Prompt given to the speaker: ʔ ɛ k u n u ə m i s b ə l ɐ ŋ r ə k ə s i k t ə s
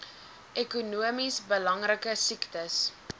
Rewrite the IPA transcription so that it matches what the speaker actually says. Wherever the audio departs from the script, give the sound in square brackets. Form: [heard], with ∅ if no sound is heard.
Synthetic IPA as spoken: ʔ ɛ k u n u ə m i s b ə l ɐ ŋ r ə k ə s i k t ə s